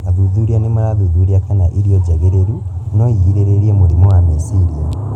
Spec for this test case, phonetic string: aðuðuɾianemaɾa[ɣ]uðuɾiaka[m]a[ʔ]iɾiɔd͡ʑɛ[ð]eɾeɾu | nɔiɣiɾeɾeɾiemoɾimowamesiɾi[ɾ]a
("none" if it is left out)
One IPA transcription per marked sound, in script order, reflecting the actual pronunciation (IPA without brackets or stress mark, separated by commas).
ð, n, ʔ, ɣ, none